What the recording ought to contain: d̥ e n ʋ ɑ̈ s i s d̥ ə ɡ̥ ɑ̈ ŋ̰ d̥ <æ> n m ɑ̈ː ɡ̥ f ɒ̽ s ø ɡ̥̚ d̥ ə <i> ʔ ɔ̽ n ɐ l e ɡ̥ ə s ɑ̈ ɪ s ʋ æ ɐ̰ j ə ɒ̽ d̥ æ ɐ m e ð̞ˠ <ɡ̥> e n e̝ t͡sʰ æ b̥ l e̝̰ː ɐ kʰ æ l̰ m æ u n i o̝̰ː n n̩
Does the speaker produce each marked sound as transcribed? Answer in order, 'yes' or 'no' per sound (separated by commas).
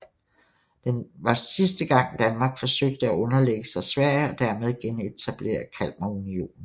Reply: yes, no, yes